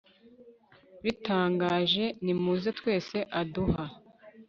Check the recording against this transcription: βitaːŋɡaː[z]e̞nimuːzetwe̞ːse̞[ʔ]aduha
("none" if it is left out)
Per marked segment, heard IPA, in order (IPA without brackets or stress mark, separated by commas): ʒ, ʔ